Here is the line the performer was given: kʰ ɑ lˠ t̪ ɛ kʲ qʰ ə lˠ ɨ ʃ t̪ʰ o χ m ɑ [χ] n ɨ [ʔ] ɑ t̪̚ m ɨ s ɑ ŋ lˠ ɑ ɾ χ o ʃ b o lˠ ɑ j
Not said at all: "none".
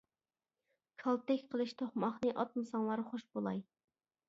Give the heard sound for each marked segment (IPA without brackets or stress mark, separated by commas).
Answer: χ, ʔ